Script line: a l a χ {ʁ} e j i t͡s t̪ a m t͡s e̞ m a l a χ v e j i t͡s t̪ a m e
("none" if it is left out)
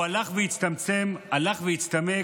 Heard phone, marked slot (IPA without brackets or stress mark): v